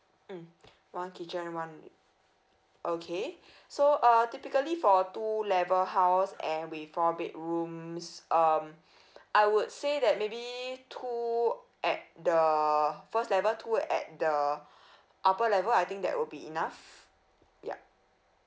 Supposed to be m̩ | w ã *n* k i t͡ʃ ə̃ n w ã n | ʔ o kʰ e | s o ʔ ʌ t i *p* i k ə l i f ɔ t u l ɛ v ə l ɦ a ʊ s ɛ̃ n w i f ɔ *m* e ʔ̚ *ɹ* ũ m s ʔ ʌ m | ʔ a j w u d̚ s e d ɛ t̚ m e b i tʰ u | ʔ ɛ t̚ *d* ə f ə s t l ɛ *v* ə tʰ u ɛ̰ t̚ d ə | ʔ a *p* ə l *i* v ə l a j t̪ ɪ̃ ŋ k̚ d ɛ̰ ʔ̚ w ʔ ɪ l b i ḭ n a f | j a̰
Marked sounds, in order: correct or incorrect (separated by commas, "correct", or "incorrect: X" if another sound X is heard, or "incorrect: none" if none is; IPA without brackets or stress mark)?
correct, correct, incorrect: b, correct, correct, correct, correct, incorrect: ɛ